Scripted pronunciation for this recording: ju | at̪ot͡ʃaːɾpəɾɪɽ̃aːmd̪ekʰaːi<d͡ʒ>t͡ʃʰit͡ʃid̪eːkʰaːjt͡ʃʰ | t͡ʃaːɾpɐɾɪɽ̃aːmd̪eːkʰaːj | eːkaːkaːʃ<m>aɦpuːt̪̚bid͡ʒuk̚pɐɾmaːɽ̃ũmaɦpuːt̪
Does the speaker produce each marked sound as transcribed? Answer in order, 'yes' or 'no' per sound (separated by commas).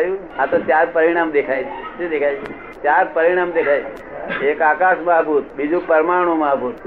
no, yes